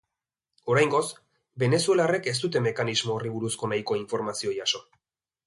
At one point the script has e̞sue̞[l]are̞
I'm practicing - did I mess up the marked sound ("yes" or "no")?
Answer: no